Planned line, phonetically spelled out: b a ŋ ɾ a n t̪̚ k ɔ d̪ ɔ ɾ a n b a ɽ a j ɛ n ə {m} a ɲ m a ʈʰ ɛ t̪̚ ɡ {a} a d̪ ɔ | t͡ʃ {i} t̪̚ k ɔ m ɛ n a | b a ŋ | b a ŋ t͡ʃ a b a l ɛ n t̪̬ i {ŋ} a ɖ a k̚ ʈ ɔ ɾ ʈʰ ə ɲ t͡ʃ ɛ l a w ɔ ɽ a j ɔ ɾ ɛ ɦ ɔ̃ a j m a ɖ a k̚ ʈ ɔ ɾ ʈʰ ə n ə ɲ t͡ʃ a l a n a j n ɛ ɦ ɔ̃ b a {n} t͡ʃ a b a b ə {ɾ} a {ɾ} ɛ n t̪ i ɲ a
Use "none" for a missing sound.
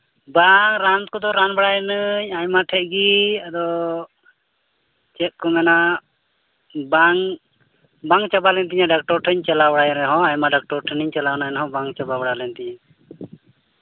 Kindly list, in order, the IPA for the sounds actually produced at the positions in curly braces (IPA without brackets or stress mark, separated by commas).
ɲ, i, ɛ, ɲ, ŋ, ɽ, l